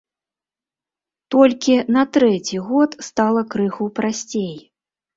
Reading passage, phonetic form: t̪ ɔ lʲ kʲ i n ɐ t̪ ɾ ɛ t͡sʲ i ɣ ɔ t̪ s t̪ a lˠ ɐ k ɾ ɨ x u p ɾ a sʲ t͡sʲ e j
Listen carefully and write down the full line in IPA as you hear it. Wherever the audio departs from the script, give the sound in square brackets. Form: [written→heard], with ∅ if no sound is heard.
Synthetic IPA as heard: t̪ ɔ lʲ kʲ i n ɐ t̪ ɾ ɛ t͡sʲ i ɣ ɔ t̪ s t̪ a lˠ ɐ k ɾ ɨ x u p ɾ a sʲ t͡sʲ e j